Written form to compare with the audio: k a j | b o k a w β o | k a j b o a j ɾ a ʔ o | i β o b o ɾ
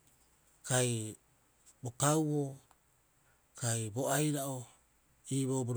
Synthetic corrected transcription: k a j | b o k a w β o | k a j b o a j ɾ a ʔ o | i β o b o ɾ